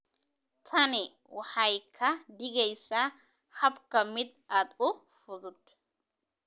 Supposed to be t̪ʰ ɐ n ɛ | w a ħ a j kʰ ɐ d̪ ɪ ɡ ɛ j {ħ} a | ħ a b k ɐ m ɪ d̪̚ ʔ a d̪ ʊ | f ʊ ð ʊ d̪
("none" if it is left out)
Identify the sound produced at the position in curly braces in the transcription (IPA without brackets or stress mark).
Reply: s